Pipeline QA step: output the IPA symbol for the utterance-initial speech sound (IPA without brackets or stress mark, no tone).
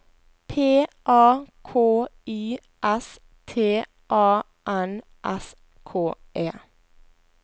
pʰ